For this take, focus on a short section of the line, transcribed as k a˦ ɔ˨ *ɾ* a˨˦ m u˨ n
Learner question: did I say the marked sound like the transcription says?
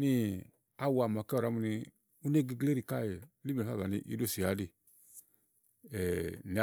yes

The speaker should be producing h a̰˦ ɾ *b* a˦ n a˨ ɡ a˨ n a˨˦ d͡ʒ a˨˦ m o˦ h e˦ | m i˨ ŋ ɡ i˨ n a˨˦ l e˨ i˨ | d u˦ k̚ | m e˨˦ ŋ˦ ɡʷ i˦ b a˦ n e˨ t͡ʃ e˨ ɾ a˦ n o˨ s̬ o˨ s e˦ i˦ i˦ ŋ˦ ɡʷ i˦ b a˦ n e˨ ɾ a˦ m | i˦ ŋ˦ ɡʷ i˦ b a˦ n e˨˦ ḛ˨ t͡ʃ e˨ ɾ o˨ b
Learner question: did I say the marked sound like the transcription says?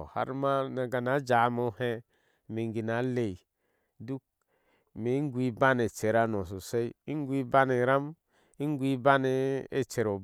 no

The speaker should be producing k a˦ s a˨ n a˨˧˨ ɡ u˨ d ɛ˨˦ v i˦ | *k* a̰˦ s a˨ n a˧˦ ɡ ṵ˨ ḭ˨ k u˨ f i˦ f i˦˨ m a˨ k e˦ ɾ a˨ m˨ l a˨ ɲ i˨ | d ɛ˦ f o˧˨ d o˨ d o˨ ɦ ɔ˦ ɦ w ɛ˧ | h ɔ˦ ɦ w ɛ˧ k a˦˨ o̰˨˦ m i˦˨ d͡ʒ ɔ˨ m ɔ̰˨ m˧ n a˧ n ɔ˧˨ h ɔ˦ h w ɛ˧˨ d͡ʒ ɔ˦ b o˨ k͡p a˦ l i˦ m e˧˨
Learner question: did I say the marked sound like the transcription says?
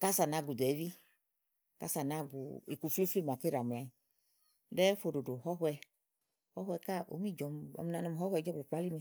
yes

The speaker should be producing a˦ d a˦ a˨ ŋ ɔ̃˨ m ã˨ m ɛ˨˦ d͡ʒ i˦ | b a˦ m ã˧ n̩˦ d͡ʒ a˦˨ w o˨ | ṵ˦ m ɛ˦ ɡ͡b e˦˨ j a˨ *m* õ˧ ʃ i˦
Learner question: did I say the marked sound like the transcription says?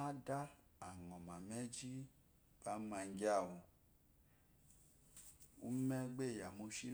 yes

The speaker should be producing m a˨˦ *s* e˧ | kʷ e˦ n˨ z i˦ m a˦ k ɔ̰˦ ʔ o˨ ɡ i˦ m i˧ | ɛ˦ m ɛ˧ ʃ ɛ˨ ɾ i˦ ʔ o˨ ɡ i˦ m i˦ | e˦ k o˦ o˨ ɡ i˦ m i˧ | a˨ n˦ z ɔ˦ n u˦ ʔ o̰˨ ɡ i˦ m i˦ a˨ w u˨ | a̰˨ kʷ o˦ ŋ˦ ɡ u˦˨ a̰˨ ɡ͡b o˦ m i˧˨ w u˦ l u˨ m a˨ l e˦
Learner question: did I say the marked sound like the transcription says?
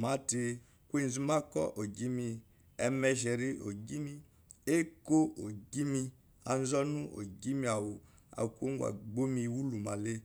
no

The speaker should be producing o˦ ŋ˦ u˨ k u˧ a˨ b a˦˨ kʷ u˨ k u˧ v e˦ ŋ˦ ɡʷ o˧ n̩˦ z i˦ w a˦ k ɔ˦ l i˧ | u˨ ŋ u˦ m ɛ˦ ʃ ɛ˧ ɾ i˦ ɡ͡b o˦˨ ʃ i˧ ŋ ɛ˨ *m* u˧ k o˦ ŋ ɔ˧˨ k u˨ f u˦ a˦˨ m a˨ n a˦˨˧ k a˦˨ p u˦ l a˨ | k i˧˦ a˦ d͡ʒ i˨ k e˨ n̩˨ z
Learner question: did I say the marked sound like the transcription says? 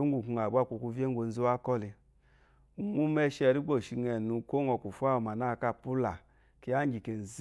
no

